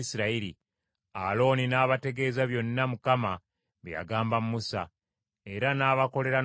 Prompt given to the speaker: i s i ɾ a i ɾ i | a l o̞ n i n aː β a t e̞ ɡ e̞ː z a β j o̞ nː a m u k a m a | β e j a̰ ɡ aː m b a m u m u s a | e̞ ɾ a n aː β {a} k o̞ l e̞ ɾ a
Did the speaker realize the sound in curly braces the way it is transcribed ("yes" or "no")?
yes